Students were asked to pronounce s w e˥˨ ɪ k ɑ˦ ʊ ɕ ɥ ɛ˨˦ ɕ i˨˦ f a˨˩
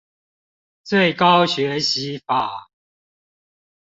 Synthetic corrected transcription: t͡s w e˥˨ ɪ k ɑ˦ ʊ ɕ ɥ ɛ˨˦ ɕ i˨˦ f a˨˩

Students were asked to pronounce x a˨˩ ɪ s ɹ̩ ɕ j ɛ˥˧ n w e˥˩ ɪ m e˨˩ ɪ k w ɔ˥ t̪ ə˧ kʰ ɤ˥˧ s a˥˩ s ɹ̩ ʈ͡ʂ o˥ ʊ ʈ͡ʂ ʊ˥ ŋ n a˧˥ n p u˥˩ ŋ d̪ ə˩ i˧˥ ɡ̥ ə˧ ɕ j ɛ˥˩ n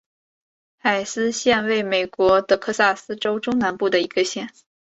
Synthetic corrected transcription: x a˨˩ ɪ s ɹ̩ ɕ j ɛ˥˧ n w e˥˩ ɪ m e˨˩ ɪ k w ɔ˧˥ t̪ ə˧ kʰ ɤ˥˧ s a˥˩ s ɹ̩ ʈ͡ʂ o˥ ʊ ʈ͡ʂ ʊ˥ ŋ n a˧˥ n p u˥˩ d̪ ə˩ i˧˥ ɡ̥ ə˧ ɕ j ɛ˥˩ n

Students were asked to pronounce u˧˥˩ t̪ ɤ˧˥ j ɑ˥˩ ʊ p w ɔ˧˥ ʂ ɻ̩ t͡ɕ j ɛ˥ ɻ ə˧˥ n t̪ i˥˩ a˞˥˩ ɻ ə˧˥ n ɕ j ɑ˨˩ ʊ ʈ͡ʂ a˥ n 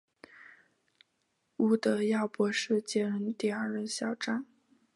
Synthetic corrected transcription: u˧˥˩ t̪ ɤ˧˥ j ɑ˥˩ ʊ p w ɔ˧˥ ʂ ɻ̩ t͡ɕ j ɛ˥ ɻ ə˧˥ n t̪ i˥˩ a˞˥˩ ɻ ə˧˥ n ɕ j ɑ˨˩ ʊ ʈ͡ʂ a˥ n

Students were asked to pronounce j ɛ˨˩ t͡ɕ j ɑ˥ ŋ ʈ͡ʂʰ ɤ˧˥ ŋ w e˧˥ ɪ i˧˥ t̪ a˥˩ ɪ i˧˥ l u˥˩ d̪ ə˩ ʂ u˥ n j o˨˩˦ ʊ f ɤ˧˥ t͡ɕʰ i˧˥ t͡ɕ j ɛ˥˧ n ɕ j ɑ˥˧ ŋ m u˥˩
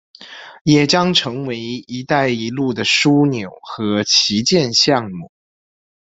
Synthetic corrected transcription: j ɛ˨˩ t͡ɕ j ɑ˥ ŋ ʈ͡ʂʰ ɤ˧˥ ŋ w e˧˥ ɪ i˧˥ t̪ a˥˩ ɪ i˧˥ l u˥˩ d̪ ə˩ ʂ u˥ n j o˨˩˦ ʊ x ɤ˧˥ t͡ɕʰ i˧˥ t͡ɕ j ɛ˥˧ n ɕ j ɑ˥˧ ŋ m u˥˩

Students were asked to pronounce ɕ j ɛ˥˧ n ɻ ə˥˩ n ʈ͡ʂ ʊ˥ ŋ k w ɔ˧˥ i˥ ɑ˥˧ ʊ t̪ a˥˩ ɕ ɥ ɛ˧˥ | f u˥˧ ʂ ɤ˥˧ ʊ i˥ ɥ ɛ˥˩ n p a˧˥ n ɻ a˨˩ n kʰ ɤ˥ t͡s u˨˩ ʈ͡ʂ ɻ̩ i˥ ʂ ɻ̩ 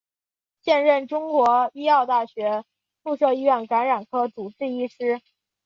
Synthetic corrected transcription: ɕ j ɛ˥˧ n ɻ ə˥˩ n ʈ͡ʂ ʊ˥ ŋ k w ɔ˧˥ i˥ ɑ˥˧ ʊ t̪ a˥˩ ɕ ɥ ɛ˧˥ | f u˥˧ ʂ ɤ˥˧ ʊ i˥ ɥ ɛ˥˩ n k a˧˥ n ɻ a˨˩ n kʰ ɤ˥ t͡s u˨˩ ʈ͡ʂ ɻ̩ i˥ ʂ ɻ̩

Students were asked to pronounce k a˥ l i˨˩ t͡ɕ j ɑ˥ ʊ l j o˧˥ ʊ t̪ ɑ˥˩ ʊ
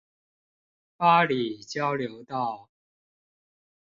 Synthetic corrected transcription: p a˥ l i˨˩ t͡ɕ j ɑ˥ ʊ l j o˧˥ ʊ t̪ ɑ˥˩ ʊ

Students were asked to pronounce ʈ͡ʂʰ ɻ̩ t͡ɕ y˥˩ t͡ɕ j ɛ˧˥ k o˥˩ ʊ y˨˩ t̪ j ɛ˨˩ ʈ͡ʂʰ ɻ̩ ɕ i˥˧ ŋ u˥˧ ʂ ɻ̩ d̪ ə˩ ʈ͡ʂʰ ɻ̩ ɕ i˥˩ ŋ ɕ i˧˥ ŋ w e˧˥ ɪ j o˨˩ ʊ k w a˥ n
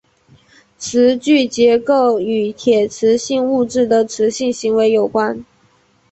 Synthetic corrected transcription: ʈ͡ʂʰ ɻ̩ t͡ɕ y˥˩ t͡ɕ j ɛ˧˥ k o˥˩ ʊ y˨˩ t̪ʰ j ɛ˨˩ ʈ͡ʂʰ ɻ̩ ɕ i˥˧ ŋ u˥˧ ʈ͡ʂ ɻ̩ d̪ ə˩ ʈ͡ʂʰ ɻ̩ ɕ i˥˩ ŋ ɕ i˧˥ ŋ w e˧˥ ɪ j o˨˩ ʊ k w a˥ n

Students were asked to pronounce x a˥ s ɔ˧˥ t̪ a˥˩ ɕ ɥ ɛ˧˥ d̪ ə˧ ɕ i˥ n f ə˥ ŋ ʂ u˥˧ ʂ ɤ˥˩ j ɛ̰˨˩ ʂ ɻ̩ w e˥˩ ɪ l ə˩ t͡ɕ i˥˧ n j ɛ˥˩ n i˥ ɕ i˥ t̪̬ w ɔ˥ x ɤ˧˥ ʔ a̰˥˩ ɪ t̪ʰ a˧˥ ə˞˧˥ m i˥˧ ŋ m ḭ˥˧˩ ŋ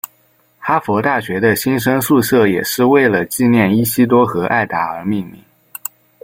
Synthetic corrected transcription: x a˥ f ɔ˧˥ t̪ a˥˩ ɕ ɥ ɛ˧˥ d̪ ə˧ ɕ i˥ n ʂ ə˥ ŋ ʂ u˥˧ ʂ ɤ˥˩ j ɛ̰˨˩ ʂ ɻ̩ w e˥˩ ɪ l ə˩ t͡ɕ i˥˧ n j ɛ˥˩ n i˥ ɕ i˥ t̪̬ w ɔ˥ x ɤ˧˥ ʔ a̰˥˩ ɪ t̪ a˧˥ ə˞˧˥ m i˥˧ ŋ m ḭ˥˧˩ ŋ

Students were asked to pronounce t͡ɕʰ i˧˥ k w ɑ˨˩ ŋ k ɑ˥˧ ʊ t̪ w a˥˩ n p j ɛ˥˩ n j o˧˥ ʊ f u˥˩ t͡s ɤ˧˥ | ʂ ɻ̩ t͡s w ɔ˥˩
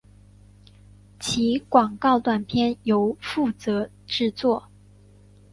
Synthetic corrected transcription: t͡ɕʰ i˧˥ k w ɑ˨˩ ŋ k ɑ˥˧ ʊ t̪ w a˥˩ n pʰ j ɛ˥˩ n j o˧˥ ʊ f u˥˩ t͡s ɤ˧˥ | ʈ͡ʂ ɻ̩ t͡s w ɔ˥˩

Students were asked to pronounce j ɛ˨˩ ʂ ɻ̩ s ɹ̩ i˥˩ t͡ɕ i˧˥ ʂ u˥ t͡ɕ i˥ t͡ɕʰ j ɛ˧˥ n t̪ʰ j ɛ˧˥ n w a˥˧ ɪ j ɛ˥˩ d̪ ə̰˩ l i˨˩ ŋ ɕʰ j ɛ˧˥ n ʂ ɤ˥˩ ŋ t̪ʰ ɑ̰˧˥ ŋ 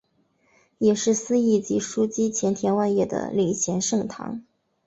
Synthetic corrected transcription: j ɛ˨˩ ʂ ɻ̩ s ɹ̩ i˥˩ t͡ɕ i˧˥ ʂ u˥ t͡ɕ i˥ t͡ɕʰ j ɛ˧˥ n t̪ʰ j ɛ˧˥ n w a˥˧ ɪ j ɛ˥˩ d̪ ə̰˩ l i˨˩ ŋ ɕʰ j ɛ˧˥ n ʂ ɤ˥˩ ŋ t̪ʰ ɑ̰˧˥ ŋ

